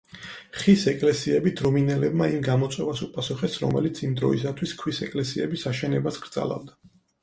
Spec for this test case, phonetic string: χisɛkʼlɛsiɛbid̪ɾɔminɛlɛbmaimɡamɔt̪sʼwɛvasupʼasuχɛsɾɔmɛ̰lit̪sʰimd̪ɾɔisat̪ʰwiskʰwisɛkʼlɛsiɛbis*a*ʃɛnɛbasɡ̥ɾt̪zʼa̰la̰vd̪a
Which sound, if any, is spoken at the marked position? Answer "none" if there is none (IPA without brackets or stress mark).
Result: a